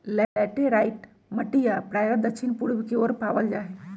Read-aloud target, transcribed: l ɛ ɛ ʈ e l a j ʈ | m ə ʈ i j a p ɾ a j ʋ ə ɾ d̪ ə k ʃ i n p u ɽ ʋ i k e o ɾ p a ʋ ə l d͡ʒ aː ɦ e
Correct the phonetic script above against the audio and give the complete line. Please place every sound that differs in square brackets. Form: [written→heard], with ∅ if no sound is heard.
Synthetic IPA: l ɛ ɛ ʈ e [l→ɾ] a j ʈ | m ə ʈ i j a p ɾ a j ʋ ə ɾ d̪ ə k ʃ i n p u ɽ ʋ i k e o ɾ p a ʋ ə l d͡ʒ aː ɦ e